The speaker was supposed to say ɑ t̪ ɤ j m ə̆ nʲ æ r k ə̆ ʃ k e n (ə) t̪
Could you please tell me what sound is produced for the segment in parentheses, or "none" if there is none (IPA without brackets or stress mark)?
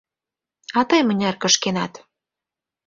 ɑ